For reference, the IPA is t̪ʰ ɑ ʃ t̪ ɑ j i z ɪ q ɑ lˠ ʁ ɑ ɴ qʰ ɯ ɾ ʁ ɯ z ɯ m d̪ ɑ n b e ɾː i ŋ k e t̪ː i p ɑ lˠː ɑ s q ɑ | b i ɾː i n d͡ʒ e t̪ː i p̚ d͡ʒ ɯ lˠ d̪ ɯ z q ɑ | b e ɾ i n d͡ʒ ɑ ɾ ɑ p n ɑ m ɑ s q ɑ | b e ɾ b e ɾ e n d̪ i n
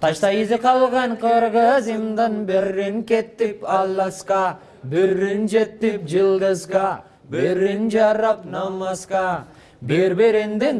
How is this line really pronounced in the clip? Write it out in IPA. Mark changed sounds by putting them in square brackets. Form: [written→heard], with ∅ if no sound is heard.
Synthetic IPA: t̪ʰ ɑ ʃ t̪ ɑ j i z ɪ q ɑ lˠ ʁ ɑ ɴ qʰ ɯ ɾ ʁ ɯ z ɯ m d̪ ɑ n b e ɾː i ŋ k e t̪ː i p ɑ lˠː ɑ s q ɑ | b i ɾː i n d͡ʒ e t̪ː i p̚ d͡ʒ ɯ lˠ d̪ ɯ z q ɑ | b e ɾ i n d͡ʒ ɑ ɾ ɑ p n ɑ m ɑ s q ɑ | b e ɾ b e ɾ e n d̪ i n